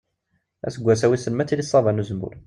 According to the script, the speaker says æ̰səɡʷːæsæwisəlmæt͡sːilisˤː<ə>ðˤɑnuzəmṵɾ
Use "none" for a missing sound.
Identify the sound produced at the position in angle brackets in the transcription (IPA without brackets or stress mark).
ɑ